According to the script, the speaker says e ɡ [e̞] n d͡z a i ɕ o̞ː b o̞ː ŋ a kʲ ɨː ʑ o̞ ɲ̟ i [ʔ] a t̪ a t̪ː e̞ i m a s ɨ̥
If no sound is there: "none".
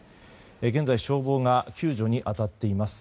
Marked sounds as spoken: ẽ̞, ʔ

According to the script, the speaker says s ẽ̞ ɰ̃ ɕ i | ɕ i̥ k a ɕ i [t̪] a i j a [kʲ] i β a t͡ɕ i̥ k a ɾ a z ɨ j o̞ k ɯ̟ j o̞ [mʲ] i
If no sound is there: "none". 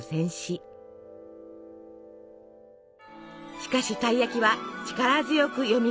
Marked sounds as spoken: t̪, kʲ, mʲ

